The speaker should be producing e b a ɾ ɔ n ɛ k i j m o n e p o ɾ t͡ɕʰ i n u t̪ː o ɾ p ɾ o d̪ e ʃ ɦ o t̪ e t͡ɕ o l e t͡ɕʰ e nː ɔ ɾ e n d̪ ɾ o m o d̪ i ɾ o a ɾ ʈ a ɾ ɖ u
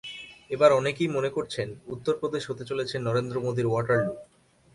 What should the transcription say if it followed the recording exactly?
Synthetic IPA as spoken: e b a ɾ ɔ n e k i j m o n e k o ɾ t͡ɕʰ e n u t̪ː o ɾ p ɾ o d̪ e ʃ ɦ o t̪ e t͡ɕ o l e t͡ɕʰ e nː ɔ ɾ e n d̪ ɾ o m o d̪ i ɾ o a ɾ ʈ a ɾ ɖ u